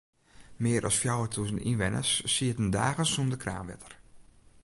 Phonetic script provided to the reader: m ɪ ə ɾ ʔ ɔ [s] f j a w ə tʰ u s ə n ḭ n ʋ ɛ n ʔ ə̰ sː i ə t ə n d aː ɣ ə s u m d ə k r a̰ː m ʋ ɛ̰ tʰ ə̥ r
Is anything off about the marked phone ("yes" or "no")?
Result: no